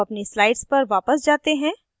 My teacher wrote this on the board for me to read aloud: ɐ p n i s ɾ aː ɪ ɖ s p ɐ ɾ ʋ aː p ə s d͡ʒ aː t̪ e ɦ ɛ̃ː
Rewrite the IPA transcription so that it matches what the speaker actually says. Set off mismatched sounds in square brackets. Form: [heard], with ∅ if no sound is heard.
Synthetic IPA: ɐ p n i s [l] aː ɪ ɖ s p ɐ ɾ ʋ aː p ə s d͡ʒ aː t̪ e ɦ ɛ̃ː